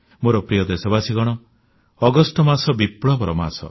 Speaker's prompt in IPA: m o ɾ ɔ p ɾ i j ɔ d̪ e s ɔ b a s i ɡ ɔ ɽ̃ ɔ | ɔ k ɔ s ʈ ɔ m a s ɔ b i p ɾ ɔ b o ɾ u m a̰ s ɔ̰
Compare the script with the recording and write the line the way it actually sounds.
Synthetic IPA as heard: m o ɾ ɔ p ɾ i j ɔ d̪ e s ɔ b a s i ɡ ɔ ɽ̃ ɔ | ɔ ɡ ɔ s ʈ ɔ m a s ɔ b i p ɭ ɔ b ɔ ɾ ɔ m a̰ s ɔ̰